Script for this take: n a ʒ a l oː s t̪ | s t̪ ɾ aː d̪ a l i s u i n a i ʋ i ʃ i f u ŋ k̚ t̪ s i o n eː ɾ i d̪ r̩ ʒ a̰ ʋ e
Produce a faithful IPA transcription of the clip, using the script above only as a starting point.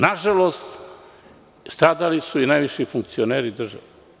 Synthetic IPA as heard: n a ʒ a l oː s t̪ | s t̪ ɾ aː d̪ a l i s u i n a j ʋ i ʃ i f u ŋ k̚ t̪ s i o n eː ɾ i d̪ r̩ ʒ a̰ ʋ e